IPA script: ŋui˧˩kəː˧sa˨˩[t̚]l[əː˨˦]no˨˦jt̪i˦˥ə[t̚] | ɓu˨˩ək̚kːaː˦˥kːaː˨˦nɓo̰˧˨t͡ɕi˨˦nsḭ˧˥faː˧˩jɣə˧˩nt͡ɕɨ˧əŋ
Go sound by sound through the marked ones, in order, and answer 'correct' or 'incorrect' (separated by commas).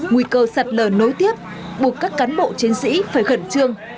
correct, incorrect, incorrect